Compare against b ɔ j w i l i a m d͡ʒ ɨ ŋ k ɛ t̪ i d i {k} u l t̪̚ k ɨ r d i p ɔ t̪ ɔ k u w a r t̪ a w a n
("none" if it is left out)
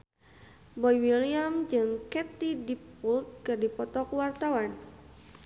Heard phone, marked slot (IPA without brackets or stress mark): p